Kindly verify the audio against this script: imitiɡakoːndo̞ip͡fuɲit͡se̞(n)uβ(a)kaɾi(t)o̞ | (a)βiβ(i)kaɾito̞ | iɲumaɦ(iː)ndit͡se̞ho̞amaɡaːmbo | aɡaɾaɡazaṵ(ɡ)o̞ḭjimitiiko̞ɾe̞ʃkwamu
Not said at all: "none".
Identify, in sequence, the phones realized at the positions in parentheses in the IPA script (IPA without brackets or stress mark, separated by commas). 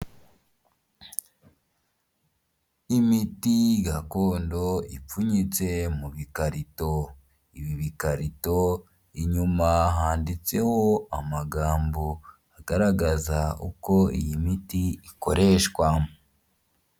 m, i, t, i, i, aː, k